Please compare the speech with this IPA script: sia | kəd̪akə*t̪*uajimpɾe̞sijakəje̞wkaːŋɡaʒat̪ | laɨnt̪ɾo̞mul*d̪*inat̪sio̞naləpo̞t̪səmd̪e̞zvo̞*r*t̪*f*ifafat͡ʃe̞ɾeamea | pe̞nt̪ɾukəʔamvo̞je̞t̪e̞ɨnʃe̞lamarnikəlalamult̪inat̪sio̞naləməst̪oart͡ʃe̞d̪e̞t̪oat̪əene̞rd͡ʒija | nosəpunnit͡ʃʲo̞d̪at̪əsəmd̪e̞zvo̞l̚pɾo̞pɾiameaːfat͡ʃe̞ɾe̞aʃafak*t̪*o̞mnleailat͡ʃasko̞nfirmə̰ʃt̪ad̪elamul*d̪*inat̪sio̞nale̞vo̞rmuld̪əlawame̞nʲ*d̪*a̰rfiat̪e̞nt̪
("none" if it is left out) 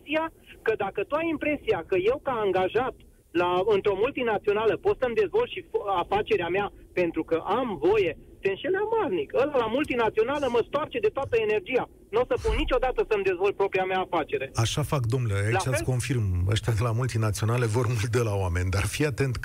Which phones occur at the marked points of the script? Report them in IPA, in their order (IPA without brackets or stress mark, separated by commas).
t̪, t̪, l, ʃ, d̪, t̪, d̪